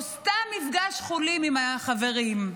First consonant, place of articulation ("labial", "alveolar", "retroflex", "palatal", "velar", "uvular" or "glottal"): alveolar